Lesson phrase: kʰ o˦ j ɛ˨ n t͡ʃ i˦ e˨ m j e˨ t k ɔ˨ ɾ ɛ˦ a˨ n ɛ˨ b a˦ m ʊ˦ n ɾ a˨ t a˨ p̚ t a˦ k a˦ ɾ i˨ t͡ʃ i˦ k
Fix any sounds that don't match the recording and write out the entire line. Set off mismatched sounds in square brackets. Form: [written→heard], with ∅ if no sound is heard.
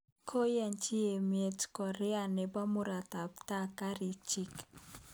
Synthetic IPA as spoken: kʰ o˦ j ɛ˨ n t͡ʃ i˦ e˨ m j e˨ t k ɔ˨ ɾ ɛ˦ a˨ n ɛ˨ b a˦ m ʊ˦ [n→∅] ɾ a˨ t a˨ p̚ t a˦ k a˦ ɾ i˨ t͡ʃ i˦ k